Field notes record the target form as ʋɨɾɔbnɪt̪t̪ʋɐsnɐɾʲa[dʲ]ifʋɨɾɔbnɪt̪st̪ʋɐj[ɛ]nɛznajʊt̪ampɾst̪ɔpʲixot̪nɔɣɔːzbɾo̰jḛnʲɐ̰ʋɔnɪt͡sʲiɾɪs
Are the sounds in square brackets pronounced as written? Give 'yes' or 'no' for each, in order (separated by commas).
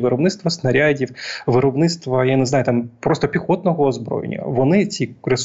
yes, no